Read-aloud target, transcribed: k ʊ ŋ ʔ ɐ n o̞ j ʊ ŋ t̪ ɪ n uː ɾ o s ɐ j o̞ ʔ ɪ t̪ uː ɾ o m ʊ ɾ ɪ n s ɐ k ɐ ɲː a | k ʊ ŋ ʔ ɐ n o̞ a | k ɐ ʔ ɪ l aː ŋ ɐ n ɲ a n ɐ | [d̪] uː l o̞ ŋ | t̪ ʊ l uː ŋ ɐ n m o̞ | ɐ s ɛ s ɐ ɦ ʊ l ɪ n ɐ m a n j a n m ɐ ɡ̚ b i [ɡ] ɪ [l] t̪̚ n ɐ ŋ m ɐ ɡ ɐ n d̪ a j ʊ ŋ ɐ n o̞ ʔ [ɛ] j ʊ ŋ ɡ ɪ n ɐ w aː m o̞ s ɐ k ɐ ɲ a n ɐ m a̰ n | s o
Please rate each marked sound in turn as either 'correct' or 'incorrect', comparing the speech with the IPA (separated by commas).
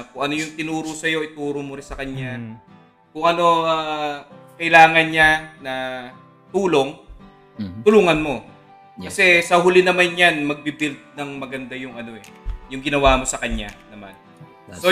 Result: incorrect, incorrect, correct, correct